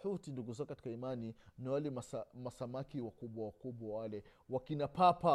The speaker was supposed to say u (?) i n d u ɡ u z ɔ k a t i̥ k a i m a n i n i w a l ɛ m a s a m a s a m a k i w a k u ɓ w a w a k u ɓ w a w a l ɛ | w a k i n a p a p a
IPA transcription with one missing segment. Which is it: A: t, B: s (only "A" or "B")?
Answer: A